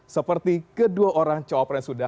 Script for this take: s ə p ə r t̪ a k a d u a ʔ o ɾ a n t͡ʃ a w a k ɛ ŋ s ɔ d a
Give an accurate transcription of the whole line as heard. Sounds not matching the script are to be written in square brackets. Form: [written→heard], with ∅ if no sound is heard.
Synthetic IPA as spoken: s ə p ə r t̪ [a→i] k [a→ə] d u a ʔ o ɾ a [n→ŋ] t͡ʃ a w a [k→p] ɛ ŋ s [ɔ→u] d a